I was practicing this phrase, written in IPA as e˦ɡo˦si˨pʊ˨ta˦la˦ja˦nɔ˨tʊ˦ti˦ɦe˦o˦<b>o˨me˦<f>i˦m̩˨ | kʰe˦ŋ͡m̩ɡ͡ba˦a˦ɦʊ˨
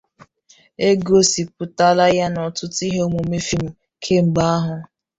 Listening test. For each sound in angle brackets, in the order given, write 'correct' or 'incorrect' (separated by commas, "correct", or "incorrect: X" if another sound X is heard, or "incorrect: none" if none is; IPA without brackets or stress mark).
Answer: incorrect: m, correct